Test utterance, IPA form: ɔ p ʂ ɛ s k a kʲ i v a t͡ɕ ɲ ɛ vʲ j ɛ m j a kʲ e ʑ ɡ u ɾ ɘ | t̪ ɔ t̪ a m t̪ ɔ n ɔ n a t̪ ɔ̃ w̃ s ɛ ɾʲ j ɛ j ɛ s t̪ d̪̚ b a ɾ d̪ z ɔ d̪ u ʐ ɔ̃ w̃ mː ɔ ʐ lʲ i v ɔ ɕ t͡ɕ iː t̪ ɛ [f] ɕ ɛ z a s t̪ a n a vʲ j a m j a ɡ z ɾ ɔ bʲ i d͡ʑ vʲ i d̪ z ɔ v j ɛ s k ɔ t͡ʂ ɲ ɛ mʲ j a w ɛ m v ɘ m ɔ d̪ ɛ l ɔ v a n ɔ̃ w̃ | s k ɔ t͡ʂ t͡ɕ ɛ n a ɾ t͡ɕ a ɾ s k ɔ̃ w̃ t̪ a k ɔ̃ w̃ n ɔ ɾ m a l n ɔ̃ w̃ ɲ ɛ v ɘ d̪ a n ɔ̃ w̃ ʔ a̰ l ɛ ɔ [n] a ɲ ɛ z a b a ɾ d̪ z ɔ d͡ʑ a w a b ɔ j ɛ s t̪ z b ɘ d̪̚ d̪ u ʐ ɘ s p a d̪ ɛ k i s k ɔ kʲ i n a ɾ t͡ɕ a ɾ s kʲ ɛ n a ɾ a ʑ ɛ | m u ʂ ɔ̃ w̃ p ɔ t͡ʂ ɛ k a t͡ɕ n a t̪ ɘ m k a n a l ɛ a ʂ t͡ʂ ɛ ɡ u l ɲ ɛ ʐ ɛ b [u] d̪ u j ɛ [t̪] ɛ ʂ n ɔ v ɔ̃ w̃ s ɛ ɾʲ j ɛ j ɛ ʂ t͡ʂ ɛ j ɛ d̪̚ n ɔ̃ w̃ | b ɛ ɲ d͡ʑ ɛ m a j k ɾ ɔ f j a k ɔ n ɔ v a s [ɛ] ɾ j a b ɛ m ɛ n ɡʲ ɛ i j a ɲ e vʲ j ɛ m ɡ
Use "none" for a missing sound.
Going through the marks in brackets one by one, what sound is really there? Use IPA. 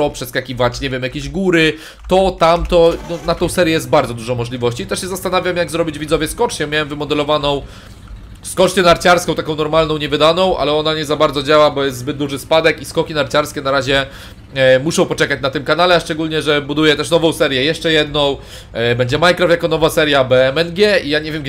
ʂ, n, u, t̪, ɛ

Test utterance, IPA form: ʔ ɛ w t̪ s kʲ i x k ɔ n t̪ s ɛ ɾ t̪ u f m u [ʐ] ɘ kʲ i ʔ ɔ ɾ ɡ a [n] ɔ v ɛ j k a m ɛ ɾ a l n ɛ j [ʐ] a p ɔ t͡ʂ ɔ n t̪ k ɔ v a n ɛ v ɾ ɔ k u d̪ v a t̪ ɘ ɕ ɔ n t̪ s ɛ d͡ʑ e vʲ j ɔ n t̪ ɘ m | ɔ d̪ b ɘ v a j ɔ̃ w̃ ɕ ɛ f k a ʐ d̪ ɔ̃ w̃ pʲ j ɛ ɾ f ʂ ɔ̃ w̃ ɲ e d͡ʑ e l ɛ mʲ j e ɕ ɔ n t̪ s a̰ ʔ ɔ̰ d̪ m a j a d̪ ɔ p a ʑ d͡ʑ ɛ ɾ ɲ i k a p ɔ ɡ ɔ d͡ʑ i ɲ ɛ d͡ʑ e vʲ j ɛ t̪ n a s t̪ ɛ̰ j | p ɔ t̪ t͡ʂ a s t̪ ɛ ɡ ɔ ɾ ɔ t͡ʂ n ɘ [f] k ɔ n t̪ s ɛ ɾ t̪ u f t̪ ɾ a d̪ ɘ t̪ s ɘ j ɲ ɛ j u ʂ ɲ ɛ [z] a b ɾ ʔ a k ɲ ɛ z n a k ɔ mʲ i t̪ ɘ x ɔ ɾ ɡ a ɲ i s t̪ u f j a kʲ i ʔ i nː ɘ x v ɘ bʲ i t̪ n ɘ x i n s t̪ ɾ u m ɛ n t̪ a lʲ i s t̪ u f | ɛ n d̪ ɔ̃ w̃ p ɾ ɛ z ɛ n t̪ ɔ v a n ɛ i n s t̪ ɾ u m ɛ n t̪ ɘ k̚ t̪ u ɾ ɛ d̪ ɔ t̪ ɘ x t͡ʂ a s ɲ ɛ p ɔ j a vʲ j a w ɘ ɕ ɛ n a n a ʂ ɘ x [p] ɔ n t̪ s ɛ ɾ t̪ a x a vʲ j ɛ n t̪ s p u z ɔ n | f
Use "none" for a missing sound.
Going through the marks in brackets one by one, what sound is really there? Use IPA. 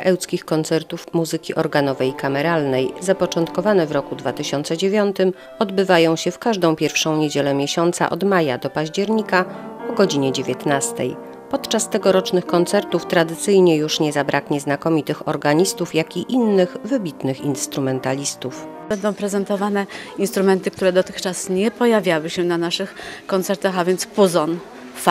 z, n, z, x, z, k

